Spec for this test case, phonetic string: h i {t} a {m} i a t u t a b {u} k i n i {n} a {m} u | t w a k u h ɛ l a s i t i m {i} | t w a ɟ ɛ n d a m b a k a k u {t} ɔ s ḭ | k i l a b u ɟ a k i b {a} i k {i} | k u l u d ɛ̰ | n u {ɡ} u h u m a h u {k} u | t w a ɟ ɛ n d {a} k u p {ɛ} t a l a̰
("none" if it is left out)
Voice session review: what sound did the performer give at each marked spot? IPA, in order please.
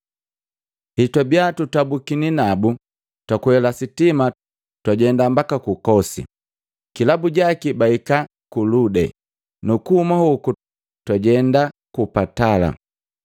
t, b, u, n, b, a, k, a, a, k, k, a, a

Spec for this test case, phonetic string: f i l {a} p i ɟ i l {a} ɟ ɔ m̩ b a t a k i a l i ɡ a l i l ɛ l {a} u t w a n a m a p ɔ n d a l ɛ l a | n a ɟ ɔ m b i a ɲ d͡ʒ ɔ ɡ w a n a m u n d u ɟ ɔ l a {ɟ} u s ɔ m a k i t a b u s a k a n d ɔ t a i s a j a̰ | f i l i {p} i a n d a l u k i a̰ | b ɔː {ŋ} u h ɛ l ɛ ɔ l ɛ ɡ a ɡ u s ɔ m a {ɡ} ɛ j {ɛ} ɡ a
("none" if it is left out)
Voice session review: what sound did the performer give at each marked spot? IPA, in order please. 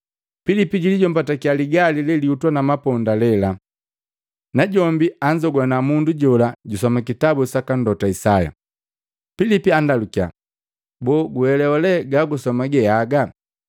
i, i, i, ɟ, p, ɡ, ɡ, a

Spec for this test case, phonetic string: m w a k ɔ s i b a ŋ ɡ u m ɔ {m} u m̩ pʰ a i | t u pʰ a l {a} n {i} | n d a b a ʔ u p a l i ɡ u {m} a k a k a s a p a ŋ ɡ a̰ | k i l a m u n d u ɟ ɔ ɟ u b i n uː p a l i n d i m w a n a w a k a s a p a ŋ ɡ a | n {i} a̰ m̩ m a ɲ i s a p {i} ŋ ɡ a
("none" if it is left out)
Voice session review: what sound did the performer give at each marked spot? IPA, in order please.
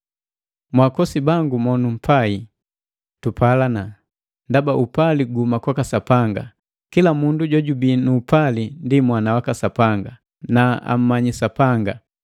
n, a, a, m, a, a

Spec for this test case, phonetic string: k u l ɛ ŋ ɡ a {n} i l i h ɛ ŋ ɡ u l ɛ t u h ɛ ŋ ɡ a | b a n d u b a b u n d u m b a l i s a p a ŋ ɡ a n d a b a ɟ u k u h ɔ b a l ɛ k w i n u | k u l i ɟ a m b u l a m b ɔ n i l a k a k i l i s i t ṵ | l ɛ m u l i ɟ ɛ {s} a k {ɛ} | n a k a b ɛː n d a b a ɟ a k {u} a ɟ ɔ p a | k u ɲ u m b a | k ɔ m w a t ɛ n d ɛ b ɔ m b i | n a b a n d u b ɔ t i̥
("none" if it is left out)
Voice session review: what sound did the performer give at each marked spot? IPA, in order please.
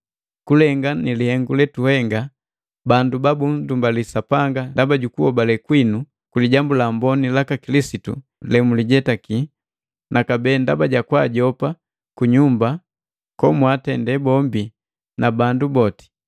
n, t, i, w

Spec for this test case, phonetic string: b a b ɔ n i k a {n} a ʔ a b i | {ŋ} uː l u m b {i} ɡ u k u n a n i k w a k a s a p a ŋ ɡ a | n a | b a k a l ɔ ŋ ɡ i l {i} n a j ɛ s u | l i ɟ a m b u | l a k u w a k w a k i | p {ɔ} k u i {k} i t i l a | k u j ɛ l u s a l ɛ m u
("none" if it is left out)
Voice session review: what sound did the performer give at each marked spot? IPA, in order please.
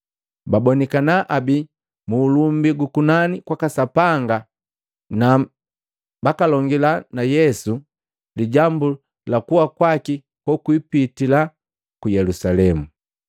n, m, i, a, ɔ, p

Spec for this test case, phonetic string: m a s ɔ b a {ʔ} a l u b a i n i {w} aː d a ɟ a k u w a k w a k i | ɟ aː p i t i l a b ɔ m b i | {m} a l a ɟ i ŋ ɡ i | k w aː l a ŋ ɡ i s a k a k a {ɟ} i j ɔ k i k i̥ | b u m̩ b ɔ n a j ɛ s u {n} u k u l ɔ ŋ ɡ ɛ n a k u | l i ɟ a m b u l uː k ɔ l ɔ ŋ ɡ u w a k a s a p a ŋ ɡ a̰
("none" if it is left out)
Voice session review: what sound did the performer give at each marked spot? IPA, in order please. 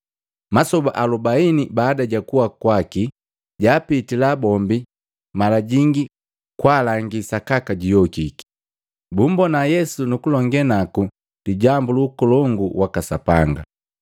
ʔ, b, m, ɟ, n

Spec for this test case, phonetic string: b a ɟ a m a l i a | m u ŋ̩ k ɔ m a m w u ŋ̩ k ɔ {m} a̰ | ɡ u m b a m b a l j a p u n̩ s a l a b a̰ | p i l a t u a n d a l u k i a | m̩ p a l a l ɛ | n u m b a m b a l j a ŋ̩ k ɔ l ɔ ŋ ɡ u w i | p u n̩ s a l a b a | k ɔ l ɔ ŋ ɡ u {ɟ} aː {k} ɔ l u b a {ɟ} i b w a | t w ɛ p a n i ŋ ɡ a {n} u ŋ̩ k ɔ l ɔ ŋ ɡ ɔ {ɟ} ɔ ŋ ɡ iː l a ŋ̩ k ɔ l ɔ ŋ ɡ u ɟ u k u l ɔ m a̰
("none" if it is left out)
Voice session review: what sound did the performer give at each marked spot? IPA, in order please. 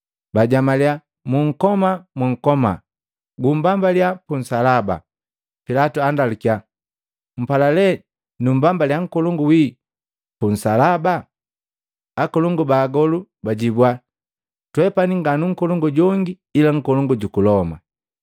m, b, ɡ, ɟ, n, ɟ

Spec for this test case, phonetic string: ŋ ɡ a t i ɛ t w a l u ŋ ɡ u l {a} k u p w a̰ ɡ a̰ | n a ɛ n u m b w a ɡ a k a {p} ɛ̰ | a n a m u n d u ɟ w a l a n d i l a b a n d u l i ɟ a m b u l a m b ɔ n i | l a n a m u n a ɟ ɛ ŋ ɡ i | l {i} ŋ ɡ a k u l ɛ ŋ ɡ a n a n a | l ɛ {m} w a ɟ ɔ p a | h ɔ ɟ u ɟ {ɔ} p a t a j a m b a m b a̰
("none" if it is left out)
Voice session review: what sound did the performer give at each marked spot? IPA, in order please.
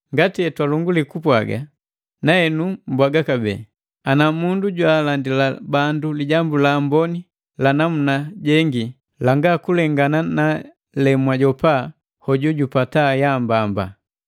i, b, a, m, u

